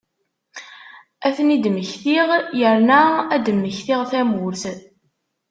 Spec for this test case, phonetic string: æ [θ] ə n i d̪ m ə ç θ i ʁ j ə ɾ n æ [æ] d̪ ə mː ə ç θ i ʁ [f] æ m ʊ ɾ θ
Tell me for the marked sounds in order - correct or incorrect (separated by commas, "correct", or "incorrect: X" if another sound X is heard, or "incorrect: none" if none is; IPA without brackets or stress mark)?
correct, correct, incorrect: θ